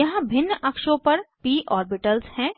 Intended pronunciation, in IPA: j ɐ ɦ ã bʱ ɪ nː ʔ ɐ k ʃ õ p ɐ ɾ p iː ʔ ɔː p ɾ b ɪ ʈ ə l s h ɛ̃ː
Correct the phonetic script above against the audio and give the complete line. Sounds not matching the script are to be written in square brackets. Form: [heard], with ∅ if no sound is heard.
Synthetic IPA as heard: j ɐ ɦ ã bʱ ɪ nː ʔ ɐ k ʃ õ p ɐ ɾ p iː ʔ ɔː [∅] ɾ b ɪ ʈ ə l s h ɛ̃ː